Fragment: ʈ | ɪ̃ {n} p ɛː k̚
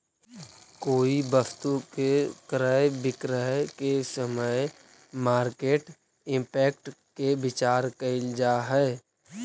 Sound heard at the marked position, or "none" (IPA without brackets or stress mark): m